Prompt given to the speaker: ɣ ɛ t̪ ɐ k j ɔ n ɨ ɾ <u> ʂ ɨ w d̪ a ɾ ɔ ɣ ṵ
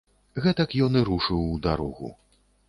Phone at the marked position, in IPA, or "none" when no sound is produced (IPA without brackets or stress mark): u